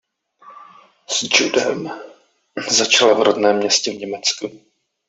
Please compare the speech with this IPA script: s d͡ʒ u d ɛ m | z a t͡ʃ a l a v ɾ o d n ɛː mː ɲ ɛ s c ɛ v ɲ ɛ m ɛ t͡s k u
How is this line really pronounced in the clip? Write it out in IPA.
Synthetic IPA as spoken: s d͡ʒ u d ɛ m | z a t͡ʃ a l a v ɾ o d n ɛː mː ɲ ɛ s c ɛ v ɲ ɛ m ɛ t͡s k u